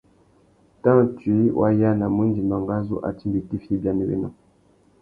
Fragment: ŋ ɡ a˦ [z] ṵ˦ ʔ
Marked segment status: correct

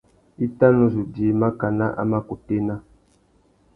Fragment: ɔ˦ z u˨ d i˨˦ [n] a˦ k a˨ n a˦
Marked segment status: incorrect: m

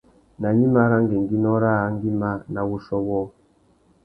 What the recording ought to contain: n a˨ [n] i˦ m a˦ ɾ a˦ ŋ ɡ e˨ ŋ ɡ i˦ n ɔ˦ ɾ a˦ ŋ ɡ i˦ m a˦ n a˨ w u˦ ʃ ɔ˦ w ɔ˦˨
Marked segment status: incorrect: ɲ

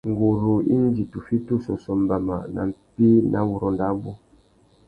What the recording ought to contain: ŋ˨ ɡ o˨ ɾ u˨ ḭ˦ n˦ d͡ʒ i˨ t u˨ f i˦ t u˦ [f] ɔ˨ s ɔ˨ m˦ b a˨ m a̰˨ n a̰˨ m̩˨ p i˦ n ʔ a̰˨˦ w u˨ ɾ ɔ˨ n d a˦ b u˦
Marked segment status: incorrect: s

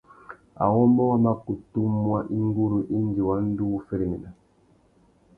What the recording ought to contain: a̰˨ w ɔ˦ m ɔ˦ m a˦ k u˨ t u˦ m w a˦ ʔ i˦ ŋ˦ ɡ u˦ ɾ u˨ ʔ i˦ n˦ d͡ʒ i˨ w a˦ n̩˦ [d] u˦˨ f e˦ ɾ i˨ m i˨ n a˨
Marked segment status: correct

